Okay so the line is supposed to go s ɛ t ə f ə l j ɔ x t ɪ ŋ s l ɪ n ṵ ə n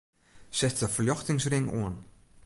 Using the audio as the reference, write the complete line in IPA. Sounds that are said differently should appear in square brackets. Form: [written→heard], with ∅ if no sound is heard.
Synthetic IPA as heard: s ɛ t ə f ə l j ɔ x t ɪ ŋ s [l→r] ɪ [n→ŋ] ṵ ə n